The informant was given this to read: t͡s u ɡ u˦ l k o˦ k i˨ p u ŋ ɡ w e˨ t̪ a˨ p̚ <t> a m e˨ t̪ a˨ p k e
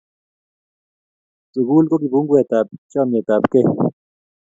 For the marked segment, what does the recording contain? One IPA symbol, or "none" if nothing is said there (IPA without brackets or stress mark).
t͡ʃ